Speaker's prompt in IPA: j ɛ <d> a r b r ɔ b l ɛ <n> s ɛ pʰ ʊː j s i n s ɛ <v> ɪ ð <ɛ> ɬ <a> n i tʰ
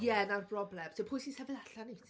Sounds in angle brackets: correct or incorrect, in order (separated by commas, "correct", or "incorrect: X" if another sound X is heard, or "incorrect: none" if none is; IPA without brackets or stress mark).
incorrect: n, incorrect: m, correct, incorrect: a, correct